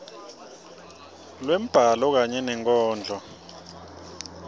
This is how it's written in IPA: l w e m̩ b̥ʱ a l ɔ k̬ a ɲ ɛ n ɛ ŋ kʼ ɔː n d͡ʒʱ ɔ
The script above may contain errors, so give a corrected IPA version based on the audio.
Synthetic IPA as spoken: l w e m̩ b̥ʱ a l ɔ k̬ a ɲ ɛ n ɛ ŋ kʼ ɔː n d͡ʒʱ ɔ

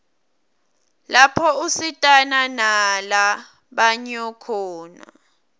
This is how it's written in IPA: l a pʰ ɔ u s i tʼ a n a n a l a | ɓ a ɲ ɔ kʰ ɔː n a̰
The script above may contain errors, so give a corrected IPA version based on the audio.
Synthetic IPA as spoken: l a pʰ ɔ u s i tʼ a n a n a l a | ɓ a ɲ ɔ kʰ ɔː n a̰

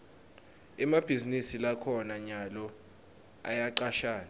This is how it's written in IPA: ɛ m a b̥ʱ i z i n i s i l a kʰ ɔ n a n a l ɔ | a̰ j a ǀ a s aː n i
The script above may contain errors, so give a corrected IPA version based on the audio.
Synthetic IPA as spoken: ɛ m a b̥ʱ i z i n i s i l a kʰ ɔ n a ɲ a l ɔ | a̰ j a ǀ a ʃ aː n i

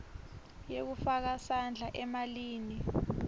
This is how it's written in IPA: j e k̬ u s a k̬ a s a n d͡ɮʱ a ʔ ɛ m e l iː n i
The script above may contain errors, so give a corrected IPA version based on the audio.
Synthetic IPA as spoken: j e k̬ u f a k̬ a s a n d͡ɮʱ a ʔ ɛ m a l iː n i

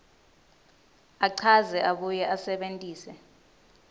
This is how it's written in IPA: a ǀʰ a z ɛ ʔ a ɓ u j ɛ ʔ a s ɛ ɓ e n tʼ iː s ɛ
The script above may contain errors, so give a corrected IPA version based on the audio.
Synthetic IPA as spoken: a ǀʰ a z ɛ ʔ a ɓ u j ɛ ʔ a s ɛ ɓ e n tʼ iː s ɛ

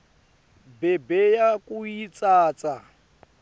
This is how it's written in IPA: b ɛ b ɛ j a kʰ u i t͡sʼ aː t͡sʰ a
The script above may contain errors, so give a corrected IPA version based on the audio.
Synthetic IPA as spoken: b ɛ b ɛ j a k u i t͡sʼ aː t͡s a

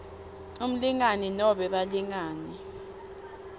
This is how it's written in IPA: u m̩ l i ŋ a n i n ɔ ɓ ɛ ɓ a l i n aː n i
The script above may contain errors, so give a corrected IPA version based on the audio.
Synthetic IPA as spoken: u m̩ l i ŋ a n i n ɔ ɓ ɛ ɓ a l i ŋ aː n i

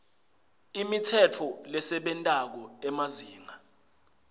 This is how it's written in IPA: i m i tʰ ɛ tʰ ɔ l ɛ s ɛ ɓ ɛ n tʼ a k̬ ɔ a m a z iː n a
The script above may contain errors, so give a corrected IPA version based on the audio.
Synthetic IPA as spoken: i m i tʰ ɛ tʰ ɔ l ɛ s ɛ ɓ ɛ n tʼ a k̬ ɔ ɛ m a z iː ŋ a

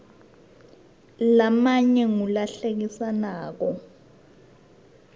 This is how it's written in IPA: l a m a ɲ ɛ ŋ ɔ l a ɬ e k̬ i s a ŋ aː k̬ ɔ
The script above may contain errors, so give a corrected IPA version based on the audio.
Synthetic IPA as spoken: l a m a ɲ ɛ ŋ u l a ɬ e k̬ i s a n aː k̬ ɔ

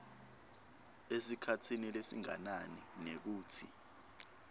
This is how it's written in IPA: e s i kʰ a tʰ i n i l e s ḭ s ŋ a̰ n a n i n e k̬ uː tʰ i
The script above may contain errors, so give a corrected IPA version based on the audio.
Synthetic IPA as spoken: e s i kʰ a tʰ i n i l e s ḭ ŋ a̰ n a n i n e k̬ uː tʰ i

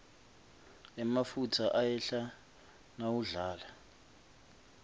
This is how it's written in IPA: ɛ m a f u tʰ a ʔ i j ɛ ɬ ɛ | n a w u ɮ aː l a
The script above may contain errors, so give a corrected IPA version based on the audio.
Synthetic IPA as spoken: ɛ m a f u tʰ a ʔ a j ɛ ɬ a | n a w u ɮ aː l a

